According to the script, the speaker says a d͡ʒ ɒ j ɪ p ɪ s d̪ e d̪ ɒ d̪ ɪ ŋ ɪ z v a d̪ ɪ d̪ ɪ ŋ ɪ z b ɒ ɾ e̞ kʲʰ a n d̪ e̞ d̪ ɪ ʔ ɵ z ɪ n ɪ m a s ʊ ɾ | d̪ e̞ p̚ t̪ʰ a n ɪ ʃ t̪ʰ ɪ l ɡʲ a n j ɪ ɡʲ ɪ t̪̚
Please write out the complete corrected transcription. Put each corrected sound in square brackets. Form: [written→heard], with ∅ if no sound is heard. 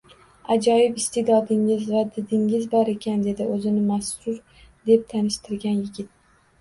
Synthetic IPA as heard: a d͡ʒ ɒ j ɪ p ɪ s [d̪→t̪] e d̪ ɒ d̪ ɪ ŋ ɪ z v a d̪ ɪ d̪ ɪ ŋ ɪ z b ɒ ɾ e̞ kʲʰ a n d̪ e̞ d̪ ɪ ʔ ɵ z ɪ n ɪ m a s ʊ ɾ | d̪ e̞ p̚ t̪ʰ a n ɪ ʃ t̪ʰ ɪ [l→ɾ] ɡʲ a n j ɪ ɡʲ ɪ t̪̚

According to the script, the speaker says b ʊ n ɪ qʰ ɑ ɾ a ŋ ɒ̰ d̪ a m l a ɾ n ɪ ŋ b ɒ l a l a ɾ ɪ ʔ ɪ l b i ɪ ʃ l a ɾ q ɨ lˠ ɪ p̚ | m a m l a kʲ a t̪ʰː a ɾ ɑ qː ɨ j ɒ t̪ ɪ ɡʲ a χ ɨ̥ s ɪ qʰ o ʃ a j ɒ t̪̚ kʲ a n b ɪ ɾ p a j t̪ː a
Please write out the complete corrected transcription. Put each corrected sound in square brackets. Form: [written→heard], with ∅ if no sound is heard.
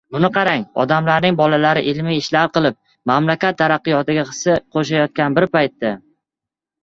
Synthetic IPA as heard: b ʊ n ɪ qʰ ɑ ɾ a ŋ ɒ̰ d̪ a m l a ɾ n ɪ ŋ b ɒ l a l a ɾ ɪ ʔ ɪ l [b→m] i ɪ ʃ l a ɾ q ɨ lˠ ɪ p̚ | m a m l a kʲ a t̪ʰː a ɾ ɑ qː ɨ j ɒ t̪ ɪ ɡʲ a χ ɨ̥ s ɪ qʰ o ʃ a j ɒ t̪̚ kʲ a n b ɪ ɾ p a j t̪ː a

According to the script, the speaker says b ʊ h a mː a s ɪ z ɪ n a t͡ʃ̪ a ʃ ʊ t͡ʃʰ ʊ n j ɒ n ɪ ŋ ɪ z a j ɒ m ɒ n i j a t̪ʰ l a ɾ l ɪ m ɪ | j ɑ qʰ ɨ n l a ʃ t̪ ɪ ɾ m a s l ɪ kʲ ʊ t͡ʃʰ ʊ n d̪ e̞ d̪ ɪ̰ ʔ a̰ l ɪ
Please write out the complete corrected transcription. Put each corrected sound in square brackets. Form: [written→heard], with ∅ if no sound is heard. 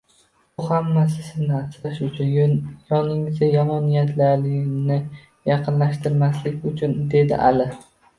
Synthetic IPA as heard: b ʊ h a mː a s ɪ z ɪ n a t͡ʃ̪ a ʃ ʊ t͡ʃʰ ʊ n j ɒ n ɪ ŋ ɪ z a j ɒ m ɒ n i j a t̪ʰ l a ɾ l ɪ [m→n] ɪ | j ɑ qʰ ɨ n l a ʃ t̪ ɪ ɾ m a s l ɪ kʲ ʊ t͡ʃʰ ʊ n d̪ e̞ d̪ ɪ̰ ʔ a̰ l ɪ

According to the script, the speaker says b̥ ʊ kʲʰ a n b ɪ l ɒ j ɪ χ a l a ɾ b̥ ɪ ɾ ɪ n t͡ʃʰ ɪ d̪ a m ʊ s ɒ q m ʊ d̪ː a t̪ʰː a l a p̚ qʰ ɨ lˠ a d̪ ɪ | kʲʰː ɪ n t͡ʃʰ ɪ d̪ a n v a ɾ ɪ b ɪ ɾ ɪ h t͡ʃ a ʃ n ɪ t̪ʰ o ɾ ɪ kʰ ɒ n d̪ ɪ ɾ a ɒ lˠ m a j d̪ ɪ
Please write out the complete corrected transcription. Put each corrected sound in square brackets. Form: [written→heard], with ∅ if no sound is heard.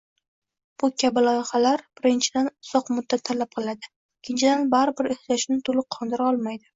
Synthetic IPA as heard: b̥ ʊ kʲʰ a [n→∅] b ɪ l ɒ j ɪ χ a l a ɾ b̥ ɪ ɾ ɪ n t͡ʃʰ ɪ d̪ a [m→n] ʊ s ɒ q m ʊ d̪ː a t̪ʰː a l a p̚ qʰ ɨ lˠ a d̪ ɪ | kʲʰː ɪ n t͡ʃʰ ɪ d̪ a n [v→b] a ɾ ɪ b ɪ ɾ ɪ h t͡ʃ a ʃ n ɪ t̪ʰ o [ɾ→l] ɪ [kʰ→qʰ] ɒ n d̪ ɪ ɾ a ɒ lˠ m a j d̪ ɪ

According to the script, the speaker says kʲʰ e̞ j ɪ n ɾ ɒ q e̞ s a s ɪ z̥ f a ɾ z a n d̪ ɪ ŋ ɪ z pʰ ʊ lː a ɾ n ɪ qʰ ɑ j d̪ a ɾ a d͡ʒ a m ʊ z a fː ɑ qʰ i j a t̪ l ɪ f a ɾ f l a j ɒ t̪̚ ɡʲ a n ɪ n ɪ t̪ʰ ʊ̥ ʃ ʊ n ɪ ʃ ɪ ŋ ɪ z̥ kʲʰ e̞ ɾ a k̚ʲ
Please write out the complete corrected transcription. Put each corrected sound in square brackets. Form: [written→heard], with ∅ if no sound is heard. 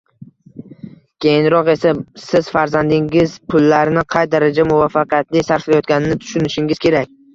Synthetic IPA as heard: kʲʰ e̞ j ɪ n ɾ ɒ q e̞ s a s ɪ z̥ f a ɾ z a n d̪ ɪ ŋ ɪ z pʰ ʊ lː a ɾ n ɪ qʰ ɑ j d̪ a ɾ a d͡ʒ a m ʊ [z→v] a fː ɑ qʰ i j a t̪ l ɪ [f→s] a ɾ f l a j ɒ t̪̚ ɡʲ a n ɪ n ɪ t̪ʰ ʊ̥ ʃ ʊ n ɪ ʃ ɪ ŋ ɪ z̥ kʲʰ e̞ ɾ a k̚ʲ

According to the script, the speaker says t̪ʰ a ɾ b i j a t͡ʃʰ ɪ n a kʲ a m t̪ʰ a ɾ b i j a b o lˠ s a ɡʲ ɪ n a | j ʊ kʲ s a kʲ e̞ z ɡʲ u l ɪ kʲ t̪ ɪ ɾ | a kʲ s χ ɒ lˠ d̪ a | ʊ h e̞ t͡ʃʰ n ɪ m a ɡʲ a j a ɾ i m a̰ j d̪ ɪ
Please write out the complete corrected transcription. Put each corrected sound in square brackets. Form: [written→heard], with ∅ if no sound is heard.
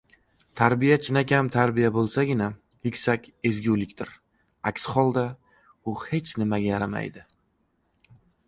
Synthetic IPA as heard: t̪ʰ a ɾ b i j a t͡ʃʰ ɪ n a kʲ a m t̪ʰ a ɾ b i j a b o lˠ s a ɡʲ ɪ n a | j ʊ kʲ s a kʲ e̞ z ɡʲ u l ɪ kʲ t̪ ɪ ɾ | a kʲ s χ ɒ lˠ d̪ a | ʊ h e̞ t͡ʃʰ n ɪ m a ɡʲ a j a ɾ [i→a] m a̰ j d̪ ɪ

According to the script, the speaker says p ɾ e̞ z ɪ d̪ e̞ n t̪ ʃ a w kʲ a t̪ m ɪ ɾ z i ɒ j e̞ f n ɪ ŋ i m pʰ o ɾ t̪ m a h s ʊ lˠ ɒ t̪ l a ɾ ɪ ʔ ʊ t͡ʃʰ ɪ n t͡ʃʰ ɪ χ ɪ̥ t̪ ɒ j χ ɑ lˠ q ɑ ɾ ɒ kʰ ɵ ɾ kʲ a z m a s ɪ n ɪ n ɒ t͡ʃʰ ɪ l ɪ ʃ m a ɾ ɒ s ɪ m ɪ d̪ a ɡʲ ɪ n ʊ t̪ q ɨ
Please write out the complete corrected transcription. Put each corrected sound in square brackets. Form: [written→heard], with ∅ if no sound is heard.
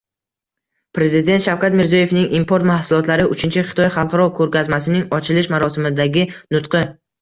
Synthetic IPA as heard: p ɾ e̞ z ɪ d̪ e̞ n t̪ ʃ a w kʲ a t̪ m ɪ ɾ z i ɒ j e̞ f n ɪ ŋ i m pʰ o ɾ t̪ m a h s ʊ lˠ ɒ t̪ l a ɾ ɪ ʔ ʊ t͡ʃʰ ɪ n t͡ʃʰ ɪ χ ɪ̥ t̪ ɒ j χ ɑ lˠ q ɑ ɾ ɒ kʰ ɵ ɾ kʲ a z m a s ɪ n ɪ [n→ŋ] ɒ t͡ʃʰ ɪ l ɪ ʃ m a ɾ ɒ s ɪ m ɪ d̪ a ɡʲ ɪ n ʊ t̪ q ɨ

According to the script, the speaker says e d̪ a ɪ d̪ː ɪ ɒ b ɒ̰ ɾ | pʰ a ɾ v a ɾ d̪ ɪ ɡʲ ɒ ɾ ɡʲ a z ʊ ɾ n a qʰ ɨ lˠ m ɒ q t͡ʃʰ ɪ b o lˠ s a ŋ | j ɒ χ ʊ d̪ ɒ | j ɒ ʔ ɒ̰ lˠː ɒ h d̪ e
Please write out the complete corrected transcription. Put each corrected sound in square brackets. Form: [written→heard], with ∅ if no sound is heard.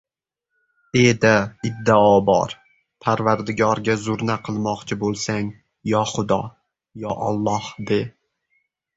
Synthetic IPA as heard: e d̪ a ɪ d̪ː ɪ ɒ b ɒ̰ ɾ | pʰ a ɾ v a ɾ d̪ ɪ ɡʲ ɒ ɾ ɡʲ a z ʊ ɾ n a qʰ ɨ lˠ m ɒ q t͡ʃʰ ɪ b o lˠ s a ŋ | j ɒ χ ʊ d̪ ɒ | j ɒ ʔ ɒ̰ lˠː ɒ h d̪ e

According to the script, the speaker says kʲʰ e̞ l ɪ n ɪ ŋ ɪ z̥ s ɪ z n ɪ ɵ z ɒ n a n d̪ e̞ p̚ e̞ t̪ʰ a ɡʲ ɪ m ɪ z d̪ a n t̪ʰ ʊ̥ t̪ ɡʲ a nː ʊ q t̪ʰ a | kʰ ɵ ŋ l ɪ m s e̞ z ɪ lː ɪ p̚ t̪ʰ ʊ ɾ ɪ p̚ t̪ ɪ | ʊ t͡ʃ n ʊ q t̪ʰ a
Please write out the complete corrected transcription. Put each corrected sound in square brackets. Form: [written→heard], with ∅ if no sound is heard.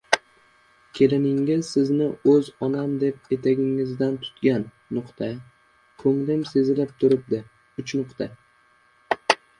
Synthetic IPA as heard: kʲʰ e̞ l ɪ n ɪ ŋ ɪ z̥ s ɪ z n ɪ ɵ z ɒ n a [n→m] d̪ e̞ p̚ e̞ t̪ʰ a ɡʲ ɪ [m→ŋ] ɪ z d̪ a n t̪ʰ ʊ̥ t̪ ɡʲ a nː ʊ q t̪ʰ a | kʰ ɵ ŋ l ɪ m s e̞ z ɪ [lː→l] ɪ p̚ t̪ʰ ʊ ɾ ɪ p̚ [t̪→d̪] ɪ | ʊ t͡ʃ n ʊ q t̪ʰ a

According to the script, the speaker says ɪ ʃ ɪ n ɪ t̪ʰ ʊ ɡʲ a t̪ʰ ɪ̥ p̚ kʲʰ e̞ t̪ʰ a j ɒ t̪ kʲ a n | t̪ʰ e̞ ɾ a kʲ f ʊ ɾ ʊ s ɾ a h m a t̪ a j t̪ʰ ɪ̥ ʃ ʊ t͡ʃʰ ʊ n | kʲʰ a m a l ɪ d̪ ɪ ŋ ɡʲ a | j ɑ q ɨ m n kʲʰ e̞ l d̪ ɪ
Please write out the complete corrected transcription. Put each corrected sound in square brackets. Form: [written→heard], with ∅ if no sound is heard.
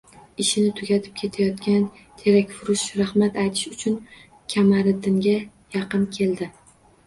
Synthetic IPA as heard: ɪ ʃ ɪ n ɪ t̪ʰ ʊ ɡʲ a t̪ʰ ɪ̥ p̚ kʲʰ e̞ t̪ʰ a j ɒ t̪ kʲ a n | t̪ʰ e̞ ɾ a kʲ f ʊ ɾ ʊ [s→ʃ] ɾ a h m a t̪ a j t̪ʰ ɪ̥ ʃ ʊ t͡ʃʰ ʊ n | kʲʰ a m a [l→ɾ] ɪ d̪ ɪ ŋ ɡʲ a | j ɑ q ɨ [m→∅] n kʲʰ e̞ l d̪ ɪ

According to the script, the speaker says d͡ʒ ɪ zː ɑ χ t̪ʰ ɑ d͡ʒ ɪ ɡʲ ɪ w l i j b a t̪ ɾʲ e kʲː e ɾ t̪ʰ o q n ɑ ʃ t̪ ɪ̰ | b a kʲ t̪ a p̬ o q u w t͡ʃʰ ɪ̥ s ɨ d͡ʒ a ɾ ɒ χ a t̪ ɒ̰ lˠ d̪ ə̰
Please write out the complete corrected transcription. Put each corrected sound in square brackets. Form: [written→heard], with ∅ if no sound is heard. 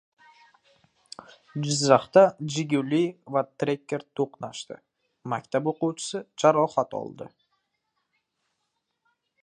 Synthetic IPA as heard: d͡ʒ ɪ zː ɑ χ [t̪ʰ→t̪] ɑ d͡ʒ ɪ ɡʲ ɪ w l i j [b→v] a t̪ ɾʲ e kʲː e ɾ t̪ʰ o q n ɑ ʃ t̪ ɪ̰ | [b→m] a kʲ t̪ a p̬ o q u w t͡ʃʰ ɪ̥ s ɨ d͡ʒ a ɾ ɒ χ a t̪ ɒ̰ lˠ d̪ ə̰

